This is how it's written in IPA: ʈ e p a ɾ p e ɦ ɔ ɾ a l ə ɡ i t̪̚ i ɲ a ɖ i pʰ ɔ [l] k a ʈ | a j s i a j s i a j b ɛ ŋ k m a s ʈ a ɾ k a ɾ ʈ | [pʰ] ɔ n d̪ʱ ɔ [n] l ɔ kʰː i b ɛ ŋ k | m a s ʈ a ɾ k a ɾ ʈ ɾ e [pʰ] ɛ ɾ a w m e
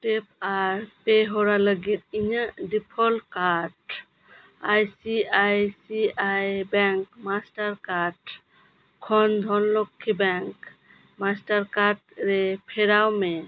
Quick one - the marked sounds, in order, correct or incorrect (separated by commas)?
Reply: correct, incorrect, correct, correct